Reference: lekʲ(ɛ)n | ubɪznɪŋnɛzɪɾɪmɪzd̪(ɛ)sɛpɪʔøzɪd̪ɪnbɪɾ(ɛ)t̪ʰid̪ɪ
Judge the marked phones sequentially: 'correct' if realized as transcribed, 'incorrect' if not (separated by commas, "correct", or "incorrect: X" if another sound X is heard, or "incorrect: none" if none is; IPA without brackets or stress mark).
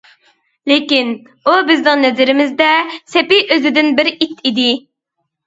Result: incorrect: i, correct, incorrect: i